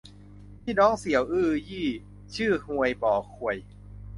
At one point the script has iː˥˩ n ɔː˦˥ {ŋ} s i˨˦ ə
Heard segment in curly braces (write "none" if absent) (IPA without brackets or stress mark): ŋ